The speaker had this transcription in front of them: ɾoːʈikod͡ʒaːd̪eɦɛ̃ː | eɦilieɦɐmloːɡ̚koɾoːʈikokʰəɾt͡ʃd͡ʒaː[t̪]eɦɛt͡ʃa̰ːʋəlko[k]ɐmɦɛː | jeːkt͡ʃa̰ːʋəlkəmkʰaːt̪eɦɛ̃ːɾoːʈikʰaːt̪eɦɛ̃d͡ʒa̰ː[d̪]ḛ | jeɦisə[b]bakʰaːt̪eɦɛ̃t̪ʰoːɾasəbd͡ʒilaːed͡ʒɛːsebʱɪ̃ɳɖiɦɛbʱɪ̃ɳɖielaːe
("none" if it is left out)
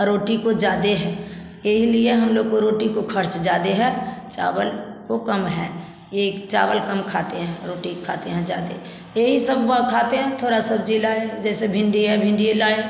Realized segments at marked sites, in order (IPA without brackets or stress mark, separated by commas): d̪, k, d̪, b